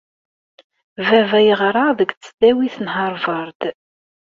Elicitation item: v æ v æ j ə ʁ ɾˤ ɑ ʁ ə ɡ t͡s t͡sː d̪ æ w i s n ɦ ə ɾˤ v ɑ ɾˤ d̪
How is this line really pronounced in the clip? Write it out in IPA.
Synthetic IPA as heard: v æ v æ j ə ʁ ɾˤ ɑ ð ə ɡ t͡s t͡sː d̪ æ w i θ n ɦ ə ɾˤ v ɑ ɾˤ d̪